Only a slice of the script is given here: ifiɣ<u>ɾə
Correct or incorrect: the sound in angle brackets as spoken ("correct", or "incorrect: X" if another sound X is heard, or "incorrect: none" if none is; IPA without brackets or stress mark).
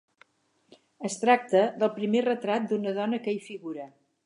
correct